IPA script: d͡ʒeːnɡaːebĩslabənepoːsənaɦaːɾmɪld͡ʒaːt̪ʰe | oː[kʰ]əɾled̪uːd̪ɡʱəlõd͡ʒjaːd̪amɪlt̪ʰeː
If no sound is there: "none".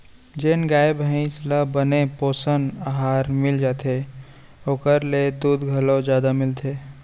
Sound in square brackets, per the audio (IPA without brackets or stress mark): k